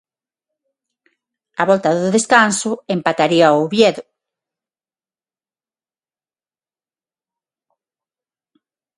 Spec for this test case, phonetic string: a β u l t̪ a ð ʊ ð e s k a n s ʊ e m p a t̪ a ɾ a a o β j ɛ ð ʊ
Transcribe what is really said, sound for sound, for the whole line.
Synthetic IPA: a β ɔ l t̪ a ð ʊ ð e s k a n s ʊ e m p a t̪ a ɾ i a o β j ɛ ð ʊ